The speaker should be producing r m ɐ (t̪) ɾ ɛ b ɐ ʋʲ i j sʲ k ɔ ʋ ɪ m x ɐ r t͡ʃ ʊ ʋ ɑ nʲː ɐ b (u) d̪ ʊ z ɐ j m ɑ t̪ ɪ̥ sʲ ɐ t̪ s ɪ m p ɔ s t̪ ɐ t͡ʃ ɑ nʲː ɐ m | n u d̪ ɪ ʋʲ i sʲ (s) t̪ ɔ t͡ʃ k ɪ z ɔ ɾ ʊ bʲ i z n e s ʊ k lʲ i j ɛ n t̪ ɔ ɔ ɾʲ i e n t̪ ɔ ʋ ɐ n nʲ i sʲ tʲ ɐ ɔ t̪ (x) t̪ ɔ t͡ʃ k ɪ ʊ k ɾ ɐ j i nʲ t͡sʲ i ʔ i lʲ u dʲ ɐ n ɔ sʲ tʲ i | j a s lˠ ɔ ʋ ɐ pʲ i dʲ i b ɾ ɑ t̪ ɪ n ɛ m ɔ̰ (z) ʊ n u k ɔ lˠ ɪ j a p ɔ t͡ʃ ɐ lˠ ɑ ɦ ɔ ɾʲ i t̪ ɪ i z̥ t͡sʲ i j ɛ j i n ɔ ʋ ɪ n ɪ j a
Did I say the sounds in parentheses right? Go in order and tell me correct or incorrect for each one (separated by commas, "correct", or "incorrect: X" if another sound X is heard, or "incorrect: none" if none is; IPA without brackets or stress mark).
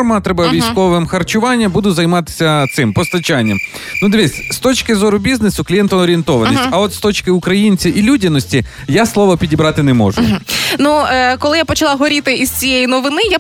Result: correct, correct, correct, incorrect: s, incorrect: ʒ